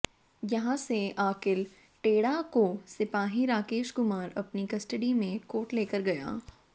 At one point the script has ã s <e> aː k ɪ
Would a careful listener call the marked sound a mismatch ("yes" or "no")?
no